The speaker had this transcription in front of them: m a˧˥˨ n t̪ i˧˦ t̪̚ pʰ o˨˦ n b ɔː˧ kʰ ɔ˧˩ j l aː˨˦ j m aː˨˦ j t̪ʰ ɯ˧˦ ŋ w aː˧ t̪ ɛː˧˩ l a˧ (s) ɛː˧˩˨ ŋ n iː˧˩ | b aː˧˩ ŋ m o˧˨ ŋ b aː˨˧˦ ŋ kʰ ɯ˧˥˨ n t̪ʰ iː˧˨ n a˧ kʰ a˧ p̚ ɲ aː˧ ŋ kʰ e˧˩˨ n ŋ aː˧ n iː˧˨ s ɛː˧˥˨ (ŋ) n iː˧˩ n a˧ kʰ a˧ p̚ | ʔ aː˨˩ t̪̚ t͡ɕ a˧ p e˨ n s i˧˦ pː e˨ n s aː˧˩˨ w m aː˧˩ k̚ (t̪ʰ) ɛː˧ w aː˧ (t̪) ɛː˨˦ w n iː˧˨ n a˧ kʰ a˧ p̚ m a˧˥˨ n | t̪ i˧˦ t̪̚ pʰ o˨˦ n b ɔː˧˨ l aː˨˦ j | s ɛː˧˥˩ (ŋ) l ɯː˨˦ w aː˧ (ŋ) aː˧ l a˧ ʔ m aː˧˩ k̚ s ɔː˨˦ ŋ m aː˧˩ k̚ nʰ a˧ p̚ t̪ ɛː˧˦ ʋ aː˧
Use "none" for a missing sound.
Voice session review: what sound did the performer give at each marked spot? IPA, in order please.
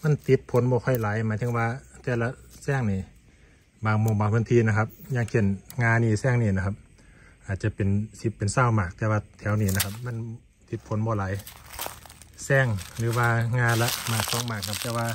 s, ŋ, t̪, t̪ʰ, ŋ, ŋ

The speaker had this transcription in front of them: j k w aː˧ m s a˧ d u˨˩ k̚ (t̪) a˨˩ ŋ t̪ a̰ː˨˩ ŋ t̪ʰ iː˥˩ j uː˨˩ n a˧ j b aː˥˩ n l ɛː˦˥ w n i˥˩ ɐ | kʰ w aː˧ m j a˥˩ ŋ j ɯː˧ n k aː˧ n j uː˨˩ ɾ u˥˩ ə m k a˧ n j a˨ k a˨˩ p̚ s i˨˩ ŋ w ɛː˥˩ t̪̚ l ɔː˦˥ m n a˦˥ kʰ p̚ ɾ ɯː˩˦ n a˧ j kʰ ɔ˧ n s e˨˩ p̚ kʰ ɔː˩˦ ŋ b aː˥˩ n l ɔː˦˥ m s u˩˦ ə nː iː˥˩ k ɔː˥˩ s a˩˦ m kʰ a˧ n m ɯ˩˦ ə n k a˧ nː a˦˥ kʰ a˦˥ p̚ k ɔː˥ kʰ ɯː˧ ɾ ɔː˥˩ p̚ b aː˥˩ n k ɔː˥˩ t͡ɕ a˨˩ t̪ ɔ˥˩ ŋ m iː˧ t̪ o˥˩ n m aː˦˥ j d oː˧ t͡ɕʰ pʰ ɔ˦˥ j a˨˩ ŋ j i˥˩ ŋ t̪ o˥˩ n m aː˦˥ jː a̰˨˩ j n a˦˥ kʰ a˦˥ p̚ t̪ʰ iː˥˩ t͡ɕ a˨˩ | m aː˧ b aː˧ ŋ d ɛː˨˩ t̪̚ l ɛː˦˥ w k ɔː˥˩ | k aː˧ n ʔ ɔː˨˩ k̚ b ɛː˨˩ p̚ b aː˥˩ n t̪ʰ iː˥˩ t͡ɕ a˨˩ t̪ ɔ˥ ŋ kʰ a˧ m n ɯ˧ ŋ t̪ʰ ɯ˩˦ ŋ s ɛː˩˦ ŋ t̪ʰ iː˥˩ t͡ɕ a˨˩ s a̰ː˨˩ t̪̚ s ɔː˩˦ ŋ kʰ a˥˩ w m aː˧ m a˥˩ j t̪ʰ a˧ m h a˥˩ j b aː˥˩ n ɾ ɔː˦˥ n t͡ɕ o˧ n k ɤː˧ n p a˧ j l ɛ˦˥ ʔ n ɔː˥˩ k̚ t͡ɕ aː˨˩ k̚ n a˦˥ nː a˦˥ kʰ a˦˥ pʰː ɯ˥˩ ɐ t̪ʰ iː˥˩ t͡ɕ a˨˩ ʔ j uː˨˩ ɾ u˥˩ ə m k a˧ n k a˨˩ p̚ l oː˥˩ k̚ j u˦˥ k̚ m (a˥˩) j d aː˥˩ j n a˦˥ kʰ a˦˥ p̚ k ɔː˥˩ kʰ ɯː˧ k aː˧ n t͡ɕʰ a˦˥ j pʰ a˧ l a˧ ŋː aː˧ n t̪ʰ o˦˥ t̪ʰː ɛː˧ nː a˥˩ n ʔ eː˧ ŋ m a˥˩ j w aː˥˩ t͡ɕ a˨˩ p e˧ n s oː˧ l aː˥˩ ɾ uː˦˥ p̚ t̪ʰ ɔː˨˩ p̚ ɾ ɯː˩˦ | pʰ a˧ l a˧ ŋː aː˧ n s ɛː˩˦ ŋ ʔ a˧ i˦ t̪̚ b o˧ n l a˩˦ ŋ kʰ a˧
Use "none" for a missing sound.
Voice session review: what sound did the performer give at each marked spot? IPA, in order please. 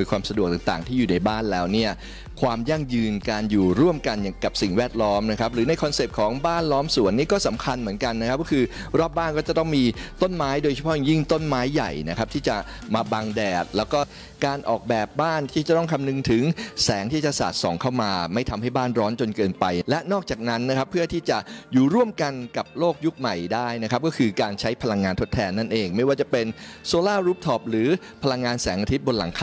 t̪, a˨˩

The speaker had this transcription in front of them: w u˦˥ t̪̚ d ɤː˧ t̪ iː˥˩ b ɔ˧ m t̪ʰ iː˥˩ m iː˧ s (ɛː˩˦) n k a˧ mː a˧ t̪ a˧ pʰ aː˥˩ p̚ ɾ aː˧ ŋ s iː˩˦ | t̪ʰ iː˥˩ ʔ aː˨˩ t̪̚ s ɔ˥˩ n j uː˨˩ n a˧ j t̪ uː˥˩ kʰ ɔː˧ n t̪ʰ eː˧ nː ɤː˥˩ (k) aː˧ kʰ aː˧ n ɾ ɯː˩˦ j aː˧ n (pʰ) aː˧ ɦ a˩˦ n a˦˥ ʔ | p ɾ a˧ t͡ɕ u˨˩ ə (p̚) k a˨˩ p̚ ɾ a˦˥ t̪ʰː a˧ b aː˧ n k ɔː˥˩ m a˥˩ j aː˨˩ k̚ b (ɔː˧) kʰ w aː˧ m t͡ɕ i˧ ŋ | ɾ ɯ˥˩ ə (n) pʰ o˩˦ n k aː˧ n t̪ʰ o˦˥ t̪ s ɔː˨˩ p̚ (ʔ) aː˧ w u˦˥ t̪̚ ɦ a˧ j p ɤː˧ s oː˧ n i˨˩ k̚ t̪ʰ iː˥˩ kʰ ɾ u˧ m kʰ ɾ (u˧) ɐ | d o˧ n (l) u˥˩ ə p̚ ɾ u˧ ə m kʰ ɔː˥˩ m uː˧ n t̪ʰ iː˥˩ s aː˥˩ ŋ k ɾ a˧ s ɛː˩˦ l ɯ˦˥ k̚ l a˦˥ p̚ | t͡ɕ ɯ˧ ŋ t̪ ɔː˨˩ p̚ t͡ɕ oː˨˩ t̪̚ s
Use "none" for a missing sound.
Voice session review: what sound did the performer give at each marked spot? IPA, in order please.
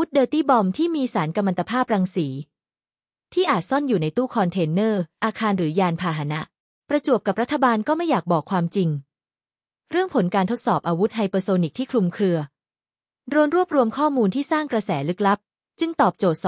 aː˩˦, ʔ, pʰ, p̚, ɔː˨˩, ŋ, ʔ, ɯ˧, ɾ

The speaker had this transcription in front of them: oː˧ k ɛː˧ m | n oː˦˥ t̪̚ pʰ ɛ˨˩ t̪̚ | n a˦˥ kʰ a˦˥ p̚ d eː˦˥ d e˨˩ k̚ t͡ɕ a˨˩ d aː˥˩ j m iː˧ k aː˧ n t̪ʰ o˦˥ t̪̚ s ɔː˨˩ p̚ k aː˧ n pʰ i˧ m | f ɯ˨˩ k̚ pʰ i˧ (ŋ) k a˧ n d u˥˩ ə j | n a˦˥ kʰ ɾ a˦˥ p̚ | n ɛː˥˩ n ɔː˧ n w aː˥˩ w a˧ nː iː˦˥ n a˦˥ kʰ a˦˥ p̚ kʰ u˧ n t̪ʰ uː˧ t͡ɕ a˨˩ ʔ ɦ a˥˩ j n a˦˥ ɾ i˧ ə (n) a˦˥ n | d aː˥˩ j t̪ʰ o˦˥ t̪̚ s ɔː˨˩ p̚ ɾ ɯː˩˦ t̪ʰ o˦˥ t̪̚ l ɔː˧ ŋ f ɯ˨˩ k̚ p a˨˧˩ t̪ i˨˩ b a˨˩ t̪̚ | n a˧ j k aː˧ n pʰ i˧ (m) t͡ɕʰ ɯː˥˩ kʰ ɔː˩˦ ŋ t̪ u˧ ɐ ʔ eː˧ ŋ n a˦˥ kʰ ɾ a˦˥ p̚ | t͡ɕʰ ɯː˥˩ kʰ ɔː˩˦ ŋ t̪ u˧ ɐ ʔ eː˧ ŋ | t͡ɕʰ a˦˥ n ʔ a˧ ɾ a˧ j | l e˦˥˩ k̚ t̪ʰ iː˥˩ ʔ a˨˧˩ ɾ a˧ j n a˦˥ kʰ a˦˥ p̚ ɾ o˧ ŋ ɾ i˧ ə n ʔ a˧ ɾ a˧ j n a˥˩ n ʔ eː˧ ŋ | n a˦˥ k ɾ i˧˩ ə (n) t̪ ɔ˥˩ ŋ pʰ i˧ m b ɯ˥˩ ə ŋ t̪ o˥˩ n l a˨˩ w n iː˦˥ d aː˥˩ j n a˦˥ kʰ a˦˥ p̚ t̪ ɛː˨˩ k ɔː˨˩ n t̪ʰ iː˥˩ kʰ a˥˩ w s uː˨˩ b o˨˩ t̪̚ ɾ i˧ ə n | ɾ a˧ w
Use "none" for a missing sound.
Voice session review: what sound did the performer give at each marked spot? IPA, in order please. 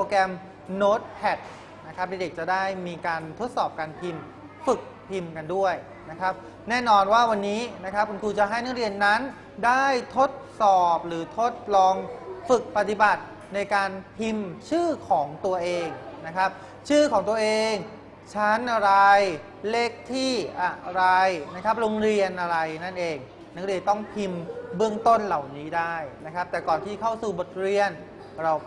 m, nː, m, n

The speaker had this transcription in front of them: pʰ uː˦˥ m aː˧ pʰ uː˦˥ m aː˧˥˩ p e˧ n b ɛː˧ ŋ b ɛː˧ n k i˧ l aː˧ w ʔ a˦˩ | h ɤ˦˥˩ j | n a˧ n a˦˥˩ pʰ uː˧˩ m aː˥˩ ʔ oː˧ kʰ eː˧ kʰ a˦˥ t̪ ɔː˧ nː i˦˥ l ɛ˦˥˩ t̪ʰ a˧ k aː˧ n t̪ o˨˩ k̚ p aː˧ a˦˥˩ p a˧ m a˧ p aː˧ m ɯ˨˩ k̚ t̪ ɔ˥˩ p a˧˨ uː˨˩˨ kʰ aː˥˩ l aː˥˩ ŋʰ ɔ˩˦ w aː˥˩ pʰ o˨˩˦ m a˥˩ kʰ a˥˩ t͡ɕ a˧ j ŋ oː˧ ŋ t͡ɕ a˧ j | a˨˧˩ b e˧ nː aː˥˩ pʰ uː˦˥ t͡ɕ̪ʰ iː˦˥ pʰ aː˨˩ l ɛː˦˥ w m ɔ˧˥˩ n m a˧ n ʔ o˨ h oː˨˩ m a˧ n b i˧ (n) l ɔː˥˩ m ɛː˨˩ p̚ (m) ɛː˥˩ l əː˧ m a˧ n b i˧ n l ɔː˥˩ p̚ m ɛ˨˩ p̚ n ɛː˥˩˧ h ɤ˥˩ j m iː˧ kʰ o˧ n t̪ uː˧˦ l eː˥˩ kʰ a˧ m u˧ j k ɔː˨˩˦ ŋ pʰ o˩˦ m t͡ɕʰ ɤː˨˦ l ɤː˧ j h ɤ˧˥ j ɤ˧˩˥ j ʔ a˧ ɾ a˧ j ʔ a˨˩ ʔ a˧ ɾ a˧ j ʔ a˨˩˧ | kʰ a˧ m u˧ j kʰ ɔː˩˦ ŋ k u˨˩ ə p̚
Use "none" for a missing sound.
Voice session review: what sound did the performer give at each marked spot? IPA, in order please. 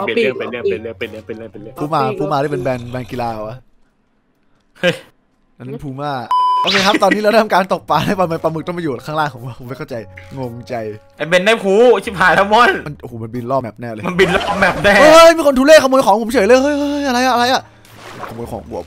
n, n

